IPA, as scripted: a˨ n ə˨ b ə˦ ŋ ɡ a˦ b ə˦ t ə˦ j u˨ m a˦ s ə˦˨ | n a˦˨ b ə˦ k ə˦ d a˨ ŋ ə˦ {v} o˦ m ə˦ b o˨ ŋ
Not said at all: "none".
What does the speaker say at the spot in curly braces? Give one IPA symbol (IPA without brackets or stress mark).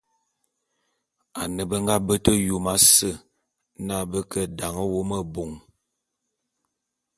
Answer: w